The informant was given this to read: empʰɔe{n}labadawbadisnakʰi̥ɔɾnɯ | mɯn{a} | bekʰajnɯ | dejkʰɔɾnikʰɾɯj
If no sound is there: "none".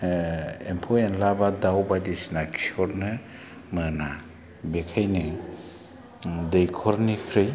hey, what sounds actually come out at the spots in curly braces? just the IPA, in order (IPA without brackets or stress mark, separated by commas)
n, a